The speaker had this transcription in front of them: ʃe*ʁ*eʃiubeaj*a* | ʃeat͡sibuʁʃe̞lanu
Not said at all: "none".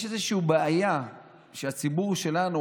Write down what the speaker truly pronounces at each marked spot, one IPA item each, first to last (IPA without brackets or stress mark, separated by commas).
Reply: z, a